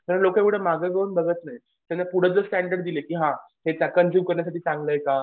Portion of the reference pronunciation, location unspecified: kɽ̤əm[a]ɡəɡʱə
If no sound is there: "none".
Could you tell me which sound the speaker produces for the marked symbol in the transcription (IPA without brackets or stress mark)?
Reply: a